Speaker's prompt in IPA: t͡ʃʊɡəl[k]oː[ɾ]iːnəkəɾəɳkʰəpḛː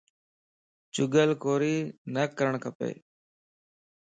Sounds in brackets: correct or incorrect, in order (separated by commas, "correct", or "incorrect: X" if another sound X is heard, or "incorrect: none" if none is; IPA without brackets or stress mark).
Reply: correct, correct